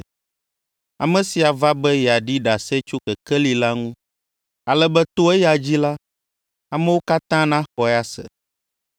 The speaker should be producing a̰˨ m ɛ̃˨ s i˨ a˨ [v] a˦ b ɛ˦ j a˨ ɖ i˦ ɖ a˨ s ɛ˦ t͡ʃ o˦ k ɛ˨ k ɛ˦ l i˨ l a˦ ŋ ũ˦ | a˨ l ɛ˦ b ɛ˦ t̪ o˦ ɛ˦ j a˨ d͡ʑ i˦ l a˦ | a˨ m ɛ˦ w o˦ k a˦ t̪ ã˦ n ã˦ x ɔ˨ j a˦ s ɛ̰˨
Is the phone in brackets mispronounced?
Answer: no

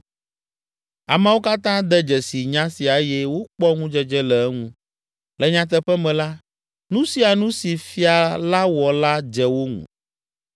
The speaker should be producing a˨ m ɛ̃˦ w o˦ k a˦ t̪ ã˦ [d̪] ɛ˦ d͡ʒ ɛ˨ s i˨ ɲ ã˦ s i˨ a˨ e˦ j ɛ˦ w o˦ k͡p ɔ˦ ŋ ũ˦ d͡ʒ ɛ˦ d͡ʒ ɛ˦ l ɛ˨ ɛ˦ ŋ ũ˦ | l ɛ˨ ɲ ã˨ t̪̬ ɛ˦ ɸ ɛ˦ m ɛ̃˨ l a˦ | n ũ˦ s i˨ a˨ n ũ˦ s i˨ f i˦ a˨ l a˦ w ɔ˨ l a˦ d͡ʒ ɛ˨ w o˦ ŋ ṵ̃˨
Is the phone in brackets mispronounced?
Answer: no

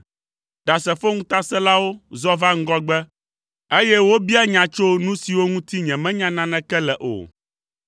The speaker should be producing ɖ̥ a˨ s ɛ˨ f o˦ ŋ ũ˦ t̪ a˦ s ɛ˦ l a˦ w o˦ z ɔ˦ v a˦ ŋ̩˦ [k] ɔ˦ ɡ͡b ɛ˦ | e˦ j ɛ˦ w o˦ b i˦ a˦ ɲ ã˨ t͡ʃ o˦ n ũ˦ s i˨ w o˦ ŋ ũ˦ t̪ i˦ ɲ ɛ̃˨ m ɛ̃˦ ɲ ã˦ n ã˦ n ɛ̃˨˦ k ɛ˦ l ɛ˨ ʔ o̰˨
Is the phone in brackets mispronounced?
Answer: yes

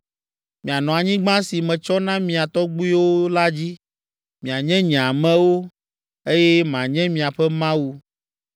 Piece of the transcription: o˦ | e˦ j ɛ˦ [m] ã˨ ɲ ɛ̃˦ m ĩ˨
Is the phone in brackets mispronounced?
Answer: no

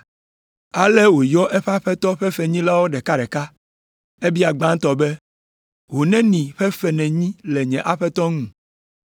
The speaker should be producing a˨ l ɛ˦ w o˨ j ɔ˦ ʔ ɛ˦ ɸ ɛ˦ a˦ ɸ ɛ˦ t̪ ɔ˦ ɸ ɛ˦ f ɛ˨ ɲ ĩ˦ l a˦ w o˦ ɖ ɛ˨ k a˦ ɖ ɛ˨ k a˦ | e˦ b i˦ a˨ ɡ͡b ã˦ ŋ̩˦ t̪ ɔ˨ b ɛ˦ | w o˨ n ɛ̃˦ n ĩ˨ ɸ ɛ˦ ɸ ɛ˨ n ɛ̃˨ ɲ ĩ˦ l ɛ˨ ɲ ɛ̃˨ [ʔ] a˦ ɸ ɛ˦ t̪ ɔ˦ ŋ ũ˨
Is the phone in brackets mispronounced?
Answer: no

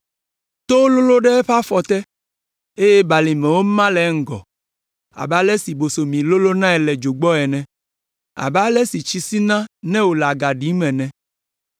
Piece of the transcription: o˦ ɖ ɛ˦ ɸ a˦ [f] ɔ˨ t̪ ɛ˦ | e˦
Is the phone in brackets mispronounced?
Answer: no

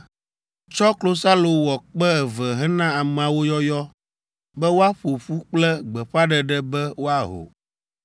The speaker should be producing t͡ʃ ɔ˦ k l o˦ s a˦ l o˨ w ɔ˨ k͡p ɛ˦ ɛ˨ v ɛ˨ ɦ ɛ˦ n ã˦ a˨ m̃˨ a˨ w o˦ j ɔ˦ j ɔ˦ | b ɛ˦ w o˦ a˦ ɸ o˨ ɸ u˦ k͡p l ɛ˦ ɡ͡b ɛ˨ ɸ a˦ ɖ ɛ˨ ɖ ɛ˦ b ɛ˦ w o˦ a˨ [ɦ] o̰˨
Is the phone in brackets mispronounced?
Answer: no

